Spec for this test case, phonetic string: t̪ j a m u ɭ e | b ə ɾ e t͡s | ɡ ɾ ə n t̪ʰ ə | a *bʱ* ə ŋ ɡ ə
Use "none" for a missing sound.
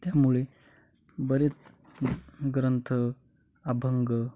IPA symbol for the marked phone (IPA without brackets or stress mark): bʱ